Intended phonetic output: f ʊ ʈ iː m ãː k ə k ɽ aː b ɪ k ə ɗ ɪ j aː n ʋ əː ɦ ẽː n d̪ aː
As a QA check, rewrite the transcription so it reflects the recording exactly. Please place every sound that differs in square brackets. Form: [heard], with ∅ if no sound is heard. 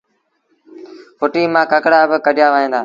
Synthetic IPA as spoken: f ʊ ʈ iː m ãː k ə k ɽ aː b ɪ k ə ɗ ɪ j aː [∅] ʋ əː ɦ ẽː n d̪ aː